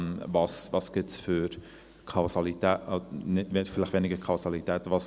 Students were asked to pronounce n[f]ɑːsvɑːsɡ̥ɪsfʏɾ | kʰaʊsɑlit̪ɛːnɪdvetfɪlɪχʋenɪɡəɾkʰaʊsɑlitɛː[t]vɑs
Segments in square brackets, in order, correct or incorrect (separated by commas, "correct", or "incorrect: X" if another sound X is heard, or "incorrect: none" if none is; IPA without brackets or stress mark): incorrect: v, correct